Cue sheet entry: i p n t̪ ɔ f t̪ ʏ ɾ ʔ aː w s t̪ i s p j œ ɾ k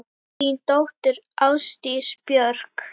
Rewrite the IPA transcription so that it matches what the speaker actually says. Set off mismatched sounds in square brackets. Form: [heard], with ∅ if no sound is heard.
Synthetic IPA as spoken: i [∅] n t̪ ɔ [h] t̪ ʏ ɾ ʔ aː w s t̪ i s p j œ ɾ k